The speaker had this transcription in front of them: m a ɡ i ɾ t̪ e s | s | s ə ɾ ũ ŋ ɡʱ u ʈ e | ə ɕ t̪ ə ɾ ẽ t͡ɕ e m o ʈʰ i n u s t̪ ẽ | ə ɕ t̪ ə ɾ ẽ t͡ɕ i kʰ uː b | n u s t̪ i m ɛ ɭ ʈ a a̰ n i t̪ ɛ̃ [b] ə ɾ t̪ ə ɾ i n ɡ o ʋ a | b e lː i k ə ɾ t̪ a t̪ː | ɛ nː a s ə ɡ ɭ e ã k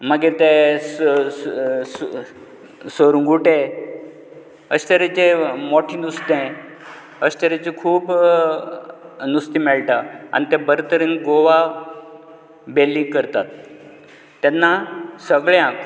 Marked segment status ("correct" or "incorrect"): correct